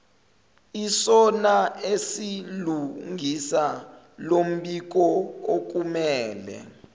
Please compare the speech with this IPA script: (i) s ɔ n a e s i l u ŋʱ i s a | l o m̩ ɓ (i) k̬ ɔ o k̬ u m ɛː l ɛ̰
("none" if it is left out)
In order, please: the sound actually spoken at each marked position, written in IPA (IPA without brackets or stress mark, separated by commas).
i, i